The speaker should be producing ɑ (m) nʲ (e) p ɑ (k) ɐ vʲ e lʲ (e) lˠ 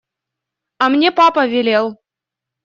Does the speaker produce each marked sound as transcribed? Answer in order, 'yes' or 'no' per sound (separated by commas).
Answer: yes, yes, no, yes